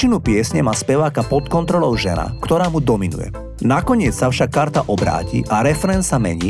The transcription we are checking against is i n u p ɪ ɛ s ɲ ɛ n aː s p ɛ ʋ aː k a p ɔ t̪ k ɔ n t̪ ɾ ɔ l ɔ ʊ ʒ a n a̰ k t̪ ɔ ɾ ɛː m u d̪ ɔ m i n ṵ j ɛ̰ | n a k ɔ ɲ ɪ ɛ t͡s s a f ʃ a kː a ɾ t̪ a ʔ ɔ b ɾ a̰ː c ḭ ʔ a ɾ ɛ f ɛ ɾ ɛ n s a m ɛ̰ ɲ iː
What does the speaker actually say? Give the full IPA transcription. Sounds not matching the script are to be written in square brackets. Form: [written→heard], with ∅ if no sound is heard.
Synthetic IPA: i n u p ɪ ɛ s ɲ ɛ [n→m] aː s p ɛ ʋ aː k a p ɔ t̪ k ɔ n t̪ ɾ ɔ l ɔ ʊ ʒ [a→ɛ] n a̰ k t̪ ɔ ɾ [ɛː→aː] m u d̪ ɔ m i n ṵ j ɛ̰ | n a k ɔ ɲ ɪ ɛ t͡s s a f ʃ a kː a ɾ t̪ a ʔ ɔ b ɾ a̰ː c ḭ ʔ a ɾ ɛ f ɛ ɾ ɛ n s a m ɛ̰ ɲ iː